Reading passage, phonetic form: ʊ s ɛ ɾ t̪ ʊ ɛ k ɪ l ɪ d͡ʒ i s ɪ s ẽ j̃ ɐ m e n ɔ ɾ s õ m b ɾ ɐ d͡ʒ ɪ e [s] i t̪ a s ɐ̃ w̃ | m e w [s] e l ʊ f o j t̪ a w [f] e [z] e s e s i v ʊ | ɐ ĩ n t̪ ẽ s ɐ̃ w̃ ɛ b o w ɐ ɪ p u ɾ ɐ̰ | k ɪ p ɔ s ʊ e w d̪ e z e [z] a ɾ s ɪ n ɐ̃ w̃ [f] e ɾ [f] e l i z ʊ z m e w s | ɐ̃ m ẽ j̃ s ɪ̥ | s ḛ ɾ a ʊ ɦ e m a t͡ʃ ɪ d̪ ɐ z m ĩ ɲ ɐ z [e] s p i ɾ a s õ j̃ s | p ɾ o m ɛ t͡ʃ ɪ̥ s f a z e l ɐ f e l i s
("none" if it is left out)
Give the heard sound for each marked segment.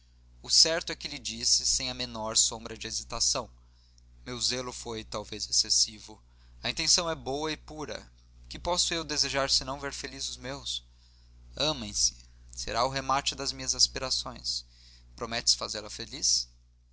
z, z, v, z, ʒ, v, f, a

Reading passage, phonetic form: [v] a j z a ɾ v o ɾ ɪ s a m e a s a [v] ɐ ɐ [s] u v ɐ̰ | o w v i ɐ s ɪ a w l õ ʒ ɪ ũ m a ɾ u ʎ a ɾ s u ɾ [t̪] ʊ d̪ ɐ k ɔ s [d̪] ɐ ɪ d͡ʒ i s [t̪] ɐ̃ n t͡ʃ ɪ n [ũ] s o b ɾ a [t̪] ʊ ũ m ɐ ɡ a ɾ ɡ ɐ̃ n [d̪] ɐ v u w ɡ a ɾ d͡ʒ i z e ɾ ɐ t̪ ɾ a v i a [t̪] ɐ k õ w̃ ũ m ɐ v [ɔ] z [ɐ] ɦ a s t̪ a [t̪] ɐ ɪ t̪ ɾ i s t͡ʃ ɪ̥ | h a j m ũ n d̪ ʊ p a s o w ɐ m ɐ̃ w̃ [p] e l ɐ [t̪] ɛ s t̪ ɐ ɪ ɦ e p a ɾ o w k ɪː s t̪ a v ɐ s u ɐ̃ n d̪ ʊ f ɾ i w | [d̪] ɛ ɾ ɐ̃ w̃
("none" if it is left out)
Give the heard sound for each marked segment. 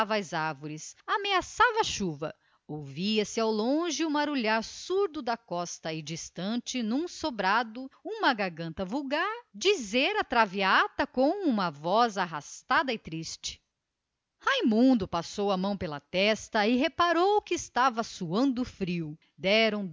v, v, ʃ, d̪, t̪, t̪, ũ, d̪, t̪, t̪, ɔ, a, d̪, p, t̪, d̪

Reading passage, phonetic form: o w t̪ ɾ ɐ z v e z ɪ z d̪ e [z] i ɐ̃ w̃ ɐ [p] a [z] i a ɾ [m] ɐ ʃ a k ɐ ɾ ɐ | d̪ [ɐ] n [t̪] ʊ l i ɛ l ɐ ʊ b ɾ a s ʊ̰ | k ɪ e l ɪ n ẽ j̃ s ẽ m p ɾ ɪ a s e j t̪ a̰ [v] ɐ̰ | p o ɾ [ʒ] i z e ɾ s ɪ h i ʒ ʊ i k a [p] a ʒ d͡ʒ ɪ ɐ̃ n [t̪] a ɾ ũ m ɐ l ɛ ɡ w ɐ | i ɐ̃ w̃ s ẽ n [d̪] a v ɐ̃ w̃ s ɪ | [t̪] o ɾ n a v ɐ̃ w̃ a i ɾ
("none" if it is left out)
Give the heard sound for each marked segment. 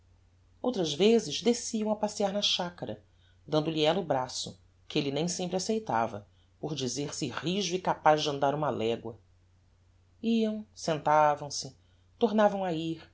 s, p, s, n, ɐ̃, d̪, v, d͡ʒ, p, d̪, t̪, t̪

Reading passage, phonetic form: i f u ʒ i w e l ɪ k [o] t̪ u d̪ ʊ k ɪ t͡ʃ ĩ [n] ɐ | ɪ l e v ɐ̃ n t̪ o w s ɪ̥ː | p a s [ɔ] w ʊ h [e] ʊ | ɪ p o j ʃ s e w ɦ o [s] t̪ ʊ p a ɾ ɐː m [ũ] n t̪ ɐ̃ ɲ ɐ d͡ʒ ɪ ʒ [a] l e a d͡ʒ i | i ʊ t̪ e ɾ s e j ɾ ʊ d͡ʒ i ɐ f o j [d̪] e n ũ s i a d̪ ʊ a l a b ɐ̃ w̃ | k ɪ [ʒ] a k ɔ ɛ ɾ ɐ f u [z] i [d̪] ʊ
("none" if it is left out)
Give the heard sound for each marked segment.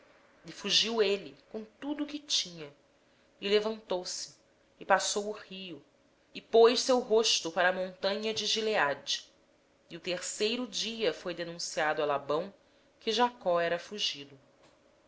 õ, ɲ, o, i, ʃ, õ, i, d̪, ʒ, ʒ, d̪

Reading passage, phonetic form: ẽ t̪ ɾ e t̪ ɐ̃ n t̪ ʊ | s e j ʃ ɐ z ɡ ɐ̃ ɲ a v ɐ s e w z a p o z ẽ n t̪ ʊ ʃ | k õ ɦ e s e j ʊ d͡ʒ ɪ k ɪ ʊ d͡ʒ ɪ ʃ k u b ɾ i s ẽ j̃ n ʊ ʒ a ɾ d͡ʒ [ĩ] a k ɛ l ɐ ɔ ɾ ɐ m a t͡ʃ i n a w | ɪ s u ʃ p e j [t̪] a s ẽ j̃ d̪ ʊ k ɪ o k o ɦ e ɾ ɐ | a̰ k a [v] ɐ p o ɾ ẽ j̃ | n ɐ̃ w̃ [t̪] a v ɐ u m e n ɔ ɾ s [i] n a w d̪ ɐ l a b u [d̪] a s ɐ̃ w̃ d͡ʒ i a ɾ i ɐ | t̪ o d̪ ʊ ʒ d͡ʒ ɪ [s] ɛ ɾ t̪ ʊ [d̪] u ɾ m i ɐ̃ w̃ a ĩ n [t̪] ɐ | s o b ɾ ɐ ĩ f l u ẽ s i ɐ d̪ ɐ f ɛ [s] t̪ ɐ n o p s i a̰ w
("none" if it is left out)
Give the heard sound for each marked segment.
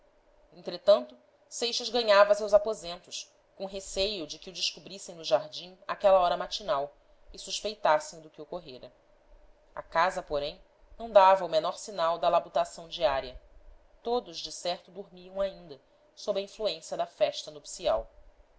ĩ, t̪, z, d̪, i, t̪, s, d̪, d̪, ʃ

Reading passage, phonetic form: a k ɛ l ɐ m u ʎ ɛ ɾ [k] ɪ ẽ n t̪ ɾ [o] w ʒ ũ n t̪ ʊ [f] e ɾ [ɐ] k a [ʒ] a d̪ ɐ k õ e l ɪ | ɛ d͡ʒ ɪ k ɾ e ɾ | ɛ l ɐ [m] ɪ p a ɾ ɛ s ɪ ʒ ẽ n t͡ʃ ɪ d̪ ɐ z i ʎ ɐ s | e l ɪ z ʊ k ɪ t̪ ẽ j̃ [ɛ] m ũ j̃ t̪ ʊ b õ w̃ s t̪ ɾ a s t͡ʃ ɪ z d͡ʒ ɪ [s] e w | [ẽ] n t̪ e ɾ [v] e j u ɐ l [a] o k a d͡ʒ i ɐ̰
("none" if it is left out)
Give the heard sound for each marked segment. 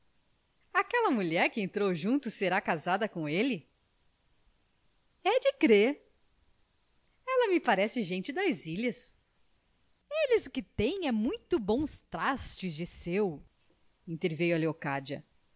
k, o, s, a, z, m, ɛ, s, ĩ, v, e

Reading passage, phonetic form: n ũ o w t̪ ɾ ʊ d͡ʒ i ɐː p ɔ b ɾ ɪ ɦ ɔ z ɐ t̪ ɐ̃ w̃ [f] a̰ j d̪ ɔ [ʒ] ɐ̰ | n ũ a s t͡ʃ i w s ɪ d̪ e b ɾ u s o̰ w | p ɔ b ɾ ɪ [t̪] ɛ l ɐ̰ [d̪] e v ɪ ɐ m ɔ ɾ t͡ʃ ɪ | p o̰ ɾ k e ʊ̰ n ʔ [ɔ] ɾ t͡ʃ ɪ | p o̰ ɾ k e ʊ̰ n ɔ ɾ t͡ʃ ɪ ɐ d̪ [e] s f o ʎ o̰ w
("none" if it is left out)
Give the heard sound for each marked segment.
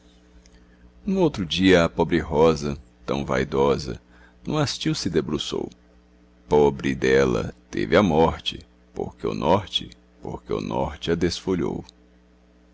v, z, d̪, t̪, ɔ, e

